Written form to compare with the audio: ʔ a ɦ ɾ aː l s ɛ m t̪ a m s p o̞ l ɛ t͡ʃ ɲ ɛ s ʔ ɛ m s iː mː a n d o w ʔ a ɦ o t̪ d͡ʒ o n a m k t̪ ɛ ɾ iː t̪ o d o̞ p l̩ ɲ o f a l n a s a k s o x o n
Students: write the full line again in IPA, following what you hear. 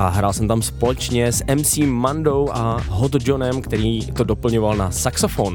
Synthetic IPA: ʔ a ɦ ɾ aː l s ɛ m t̪ a m s p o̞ l ɛ t͡ʃ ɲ ɛ s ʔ ɛ m s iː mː a n d o w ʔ a ɦ o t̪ d͡ʒ o n ɛ m k t̪ ɛ ɾ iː t̪ o d o̞ p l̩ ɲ o v a l n a s a k s o f o n